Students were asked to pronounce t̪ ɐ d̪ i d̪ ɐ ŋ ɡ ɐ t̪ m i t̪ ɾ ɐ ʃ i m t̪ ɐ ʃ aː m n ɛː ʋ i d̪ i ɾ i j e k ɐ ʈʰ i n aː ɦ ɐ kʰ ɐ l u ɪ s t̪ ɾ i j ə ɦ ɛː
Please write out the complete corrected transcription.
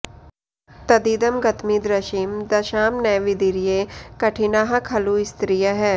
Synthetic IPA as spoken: t̪ ɐ d̪ i d̪ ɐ m ɡ ɐ t̪ m i d̪ ɾ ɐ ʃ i m d̪ ɐ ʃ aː m n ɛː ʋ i d̪ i ɾ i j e k ɐ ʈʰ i n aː ɦ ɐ kʰ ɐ l u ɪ s t̪ ɾ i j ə ɦ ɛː